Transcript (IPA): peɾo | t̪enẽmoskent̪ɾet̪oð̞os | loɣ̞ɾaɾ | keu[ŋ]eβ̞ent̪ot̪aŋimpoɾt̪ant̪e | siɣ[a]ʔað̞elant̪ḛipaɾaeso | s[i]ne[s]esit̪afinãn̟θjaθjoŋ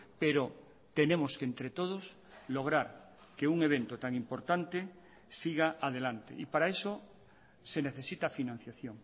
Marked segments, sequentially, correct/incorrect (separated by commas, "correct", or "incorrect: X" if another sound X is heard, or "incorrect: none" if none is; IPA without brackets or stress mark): correct, correct, incorrect: e, incorrect: θ